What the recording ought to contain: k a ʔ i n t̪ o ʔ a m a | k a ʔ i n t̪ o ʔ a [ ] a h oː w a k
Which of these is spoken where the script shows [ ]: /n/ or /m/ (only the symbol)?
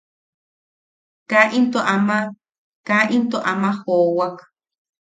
m